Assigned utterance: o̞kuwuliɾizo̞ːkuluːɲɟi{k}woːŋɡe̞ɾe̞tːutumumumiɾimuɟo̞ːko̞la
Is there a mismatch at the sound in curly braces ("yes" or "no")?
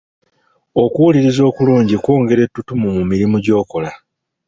no